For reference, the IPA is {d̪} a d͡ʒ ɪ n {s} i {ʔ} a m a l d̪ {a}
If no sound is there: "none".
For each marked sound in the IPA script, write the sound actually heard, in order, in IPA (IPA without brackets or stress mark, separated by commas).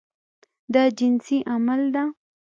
d̪, s, ʔ, a